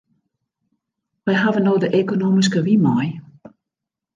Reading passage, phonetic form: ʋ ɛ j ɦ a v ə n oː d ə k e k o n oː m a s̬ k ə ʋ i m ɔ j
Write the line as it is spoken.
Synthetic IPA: ʋ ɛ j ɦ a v ə n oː d ə ʔ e k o n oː m i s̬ k ə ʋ i m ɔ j